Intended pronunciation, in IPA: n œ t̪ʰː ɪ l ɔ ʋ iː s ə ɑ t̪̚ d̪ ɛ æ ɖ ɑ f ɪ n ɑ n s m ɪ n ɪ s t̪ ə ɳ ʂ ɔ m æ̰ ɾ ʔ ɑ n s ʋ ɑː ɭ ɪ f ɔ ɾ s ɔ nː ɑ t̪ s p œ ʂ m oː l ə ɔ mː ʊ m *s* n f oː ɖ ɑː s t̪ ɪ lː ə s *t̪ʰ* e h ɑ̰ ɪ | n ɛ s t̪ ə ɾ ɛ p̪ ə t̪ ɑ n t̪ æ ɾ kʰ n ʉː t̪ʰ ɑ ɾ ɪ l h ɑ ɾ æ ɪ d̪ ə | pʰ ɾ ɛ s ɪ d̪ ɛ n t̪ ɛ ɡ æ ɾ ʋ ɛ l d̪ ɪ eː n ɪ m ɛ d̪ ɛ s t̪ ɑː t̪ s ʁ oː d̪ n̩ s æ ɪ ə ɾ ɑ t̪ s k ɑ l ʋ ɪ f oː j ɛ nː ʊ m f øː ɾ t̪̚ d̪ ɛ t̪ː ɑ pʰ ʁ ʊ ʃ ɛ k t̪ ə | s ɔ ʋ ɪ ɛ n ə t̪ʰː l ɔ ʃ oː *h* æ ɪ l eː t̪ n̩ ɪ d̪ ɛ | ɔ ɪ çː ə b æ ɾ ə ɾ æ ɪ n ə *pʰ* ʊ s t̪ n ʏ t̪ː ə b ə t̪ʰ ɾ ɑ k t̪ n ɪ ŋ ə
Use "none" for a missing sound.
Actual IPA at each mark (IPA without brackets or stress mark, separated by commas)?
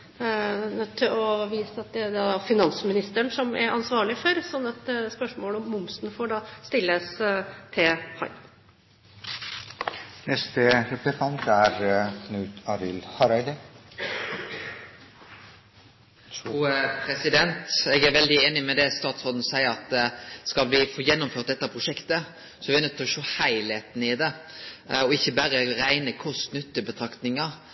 s, t̪ʰ, h, kʰ